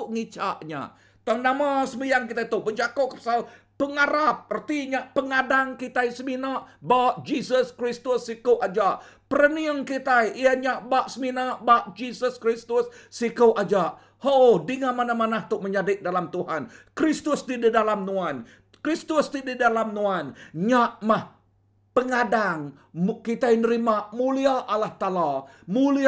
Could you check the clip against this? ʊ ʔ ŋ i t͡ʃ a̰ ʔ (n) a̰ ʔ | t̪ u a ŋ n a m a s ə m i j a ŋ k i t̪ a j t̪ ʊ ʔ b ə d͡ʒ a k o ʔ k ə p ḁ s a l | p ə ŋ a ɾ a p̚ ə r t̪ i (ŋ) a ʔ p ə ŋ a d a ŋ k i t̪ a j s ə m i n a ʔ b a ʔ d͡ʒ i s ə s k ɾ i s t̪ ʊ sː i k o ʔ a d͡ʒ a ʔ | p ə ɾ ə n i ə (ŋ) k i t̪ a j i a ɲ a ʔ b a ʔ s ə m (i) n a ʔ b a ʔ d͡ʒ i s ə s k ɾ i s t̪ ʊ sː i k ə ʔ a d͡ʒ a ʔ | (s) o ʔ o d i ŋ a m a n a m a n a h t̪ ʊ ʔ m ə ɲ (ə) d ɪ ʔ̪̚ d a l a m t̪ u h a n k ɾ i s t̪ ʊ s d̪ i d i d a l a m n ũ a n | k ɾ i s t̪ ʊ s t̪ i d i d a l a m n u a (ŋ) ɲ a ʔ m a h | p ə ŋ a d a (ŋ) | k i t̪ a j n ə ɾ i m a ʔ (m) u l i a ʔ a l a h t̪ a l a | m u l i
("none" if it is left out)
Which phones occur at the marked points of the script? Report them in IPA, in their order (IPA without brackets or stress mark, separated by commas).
ɲ, ɲ, ŋ, i, h, a, n, ŋ, m